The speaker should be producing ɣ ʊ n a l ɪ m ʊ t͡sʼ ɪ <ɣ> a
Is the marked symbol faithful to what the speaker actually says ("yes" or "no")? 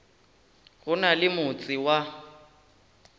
no